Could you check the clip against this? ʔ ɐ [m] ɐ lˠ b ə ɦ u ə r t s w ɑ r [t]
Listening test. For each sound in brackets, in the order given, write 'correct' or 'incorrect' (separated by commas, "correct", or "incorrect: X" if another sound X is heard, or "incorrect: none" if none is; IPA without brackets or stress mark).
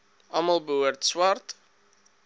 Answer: correct, correct